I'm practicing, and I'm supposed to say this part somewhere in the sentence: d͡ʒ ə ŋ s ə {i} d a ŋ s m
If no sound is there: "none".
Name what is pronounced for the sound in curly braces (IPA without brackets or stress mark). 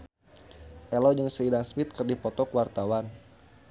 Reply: i